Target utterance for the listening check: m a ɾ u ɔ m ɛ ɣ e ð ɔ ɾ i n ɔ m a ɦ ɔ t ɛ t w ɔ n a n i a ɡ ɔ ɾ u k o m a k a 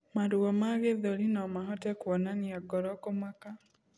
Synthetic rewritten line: m a ɾ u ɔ m a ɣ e ð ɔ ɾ i n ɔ m a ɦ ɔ t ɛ k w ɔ n a n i a ɡ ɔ ɾ ɔ k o m a k a